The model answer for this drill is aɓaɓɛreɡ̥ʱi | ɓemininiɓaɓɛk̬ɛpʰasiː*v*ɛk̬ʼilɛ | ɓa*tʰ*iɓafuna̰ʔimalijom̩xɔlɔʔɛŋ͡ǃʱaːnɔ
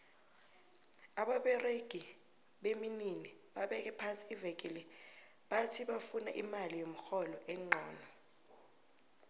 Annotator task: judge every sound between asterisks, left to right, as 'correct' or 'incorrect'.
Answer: correct, correct

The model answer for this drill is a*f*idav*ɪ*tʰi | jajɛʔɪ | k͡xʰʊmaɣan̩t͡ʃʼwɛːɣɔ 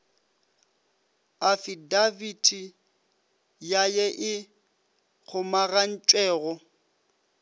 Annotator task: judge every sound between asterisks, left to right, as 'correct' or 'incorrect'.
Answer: correct, incorrect: i

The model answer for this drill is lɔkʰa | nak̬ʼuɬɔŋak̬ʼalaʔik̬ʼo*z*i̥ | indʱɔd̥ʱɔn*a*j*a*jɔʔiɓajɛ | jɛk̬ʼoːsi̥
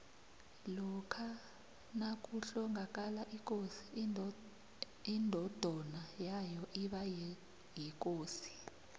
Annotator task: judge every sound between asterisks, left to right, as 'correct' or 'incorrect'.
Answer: incorrect: s, correct, correct

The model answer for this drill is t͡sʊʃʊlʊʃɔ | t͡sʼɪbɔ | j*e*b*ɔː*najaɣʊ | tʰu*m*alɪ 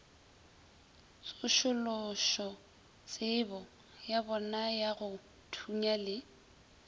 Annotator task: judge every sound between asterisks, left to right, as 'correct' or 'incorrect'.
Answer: incorrect: a, incorrect: ɔ, incorrect: ɲ

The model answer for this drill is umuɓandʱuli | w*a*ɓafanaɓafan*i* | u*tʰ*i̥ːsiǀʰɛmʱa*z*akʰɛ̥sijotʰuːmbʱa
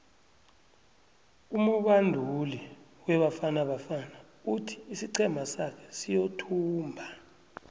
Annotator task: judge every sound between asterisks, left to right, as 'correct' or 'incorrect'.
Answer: incorrect: ɛ, incorrect: a, correct, incorrect: s

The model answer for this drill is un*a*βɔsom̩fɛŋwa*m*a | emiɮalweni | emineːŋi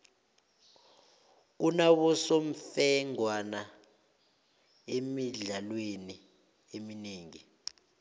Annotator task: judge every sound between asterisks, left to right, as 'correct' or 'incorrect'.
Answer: correct, incorrect: n

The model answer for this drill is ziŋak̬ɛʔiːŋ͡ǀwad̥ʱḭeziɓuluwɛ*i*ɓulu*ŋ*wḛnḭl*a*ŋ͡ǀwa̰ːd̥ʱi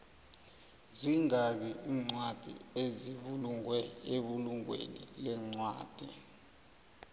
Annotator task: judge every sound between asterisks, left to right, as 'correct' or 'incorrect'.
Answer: incorrect: e, correct, incorrect: ɛ

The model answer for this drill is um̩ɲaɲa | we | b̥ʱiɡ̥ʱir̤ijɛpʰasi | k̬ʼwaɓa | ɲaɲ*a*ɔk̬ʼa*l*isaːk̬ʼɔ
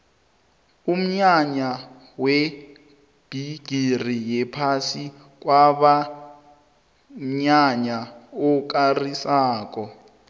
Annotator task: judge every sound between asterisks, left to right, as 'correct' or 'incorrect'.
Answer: correct, incorrect: r

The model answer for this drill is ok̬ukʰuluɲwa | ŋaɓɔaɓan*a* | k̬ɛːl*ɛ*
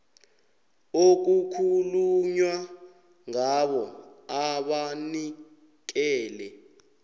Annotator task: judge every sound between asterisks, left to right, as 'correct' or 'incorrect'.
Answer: incorrect: i, correct

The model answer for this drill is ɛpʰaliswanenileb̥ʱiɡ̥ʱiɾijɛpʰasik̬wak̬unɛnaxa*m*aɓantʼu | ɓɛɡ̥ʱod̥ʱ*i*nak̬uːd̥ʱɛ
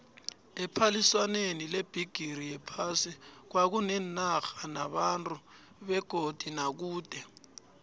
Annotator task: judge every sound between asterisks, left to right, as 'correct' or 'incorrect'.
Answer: incorrect: n, correct

